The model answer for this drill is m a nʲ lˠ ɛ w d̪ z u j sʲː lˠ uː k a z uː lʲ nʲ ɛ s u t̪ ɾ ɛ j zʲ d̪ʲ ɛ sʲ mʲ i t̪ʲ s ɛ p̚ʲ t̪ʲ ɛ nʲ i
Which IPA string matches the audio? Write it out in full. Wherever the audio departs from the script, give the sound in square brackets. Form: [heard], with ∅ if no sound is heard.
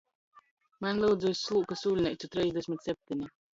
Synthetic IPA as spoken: m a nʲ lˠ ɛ w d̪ z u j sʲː lˠ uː k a [s] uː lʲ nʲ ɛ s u t̪ ɾ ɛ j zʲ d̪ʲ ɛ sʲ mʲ i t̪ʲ s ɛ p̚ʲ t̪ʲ [i] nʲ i